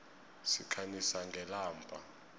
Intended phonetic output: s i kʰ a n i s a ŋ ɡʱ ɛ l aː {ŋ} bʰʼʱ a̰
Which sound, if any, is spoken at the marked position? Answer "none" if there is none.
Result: m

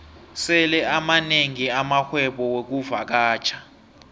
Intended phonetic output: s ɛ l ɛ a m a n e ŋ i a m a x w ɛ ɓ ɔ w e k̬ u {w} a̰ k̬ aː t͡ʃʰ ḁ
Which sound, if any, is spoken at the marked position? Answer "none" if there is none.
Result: v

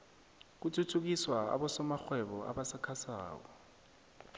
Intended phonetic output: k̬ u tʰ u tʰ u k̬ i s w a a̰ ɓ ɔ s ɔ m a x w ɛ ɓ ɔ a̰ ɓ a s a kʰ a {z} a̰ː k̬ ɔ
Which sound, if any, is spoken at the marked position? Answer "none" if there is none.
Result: s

